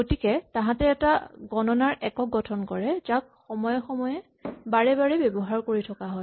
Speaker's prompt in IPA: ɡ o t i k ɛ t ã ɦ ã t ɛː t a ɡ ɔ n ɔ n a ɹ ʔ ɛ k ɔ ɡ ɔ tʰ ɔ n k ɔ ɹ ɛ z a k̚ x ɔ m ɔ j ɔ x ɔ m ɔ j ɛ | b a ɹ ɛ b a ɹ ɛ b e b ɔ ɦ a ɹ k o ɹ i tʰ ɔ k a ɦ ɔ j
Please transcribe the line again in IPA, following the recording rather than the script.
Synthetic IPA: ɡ o t i k ɛ t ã ɦ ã t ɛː t a ɡ ɔ n ɔ n a ɹ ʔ ɛ k ɔ ɡ ɔ tʰ ɔ n k ɔ ɹ ɛ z a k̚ x ɔ m ɔ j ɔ x ɔ m ɔ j ɛ | b a ɹ ɛ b a ɹ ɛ b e b ɔ ɦ a ɹ k o ɹ i tʰ ɔ k a ɦ ɔ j